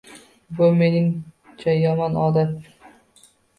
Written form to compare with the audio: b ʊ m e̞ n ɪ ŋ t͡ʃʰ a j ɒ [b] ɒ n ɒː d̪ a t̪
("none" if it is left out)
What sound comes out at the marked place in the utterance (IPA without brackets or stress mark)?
m